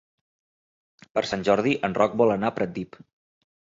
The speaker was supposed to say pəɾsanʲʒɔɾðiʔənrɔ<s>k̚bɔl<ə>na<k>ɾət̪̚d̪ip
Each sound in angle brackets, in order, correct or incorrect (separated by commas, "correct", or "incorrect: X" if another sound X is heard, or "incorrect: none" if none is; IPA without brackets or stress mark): incorrect: none, correct, incorrect: p